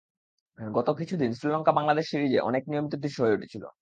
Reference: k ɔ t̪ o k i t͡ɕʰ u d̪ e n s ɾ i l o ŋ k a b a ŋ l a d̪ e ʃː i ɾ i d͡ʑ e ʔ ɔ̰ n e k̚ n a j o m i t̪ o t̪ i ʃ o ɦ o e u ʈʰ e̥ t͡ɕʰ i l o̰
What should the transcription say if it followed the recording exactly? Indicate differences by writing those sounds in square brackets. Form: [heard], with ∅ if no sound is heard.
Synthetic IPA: [ɡ] ɔ t̪ o k i t͡ɕʰ u d̪ [i] n s ɾ i l [ɔ] ŋ k a b a ŋ l a d̪ e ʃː i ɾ i d͡ʑ e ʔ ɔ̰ n e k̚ n [i] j o m i t̪ o [d̪] i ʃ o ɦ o e u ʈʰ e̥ t͡ɕʰ i l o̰